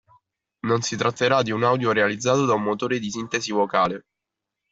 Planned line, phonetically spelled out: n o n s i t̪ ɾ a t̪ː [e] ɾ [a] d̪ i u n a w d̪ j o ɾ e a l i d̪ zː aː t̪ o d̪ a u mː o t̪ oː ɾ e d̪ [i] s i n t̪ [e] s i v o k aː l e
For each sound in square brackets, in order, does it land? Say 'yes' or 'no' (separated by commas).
yes, yes, yes, yes